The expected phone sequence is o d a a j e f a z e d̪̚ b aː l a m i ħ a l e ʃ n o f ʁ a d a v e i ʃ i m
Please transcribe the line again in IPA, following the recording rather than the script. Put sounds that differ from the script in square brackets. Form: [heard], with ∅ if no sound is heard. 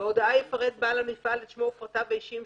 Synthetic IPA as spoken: o d a a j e f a [ʁ] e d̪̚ b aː l a m i [f] a l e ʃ [m] o f ʁ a [t] a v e i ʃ i m